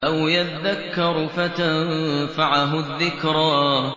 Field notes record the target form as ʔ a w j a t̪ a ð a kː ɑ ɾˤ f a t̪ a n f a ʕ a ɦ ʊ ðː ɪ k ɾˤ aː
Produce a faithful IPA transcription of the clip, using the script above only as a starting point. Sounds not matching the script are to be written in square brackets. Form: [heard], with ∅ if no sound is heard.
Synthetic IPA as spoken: ʔ a w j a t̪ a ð a kː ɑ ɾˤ f a t̪ a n f a ʕ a ɦ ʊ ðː ɪ k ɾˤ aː